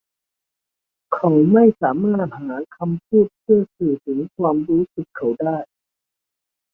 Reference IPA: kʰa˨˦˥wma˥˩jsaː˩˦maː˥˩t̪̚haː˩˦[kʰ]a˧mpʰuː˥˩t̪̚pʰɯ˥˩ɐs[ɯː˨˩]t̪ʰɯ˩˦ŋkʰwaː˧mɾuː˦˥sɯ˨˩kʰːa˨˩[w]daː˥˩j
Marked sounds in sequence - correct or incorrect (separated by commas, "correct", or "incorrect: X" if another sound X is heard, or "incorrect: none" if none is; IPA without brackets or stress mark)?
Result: correct, correct, correct